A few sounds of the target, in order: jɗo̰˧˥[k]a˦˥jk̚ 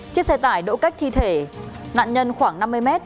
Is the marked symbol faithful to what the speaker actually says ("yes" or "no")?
yes